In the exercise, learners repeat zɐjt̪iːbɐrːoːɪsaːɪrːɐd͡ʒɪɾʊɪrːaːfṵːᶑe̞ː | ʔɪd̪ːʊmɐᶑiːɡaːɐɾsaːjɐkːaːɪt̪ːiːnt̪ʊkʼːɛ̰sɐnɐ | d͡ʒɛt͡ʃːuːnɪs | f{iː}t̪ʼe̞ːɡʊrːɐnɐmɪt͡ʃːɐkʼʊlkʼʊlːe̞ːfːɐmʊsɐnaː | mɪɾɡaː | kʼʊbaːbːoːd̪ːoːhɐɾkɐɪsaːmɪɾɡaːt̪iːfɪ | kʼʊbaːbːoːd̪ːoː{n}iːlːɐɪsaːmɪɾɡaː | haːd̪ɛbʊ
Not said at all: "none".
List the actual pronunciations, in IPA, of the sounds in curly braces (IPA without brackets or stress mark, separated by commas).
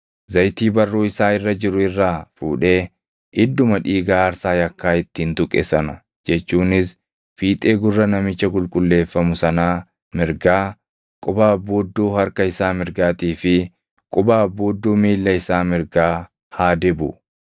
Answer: iː, m